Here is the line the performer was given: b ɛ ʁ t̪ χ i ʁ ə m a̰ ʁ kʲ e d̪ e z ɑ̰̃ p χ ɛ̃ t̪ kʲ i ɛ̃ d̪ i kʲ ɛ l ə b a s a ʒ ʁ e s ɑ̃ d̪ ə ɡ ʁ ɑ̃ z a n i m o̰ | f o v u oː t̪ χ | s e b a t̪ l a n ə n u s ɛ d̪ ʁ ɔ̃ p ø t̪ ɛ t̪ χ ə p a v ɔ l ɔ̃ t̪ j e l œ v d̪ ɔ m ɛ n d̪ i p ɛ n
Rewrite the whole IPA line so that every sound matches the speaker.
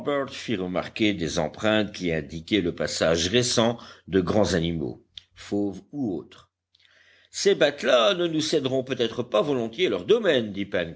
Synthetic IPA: b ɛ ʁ t̪ f i ʁ ə m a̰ ʁ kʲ e d̪ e z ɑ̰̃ p χ ɛ̃ t̪ kʲ i ɛ̃ d̪ i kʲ ɛ l ə p a s a ʒ ʁ e s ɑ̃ d̪ ə ɡ ʁ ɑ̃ z a n i m o̰ | f o v u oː t̪ χ | s e b a t̪ l a n ə n u s ɛ d̪ ʁ ɔ̃ p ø t̪ ɛ t̪ χ ə p a v ɔ l ɔ̃ t̪ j e l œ ʁ d̪ ɔ m ɛ n d̪ i p ɛ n